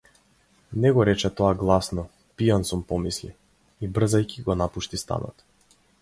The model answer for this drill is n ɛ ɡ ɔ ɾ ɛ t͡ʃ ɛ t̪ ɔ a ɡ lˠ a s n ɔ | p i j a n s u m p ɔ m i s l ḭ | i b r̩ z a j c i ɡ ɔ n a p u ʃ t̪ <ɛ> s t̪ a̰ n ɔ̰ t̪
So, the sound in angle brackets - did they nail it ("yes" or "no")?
no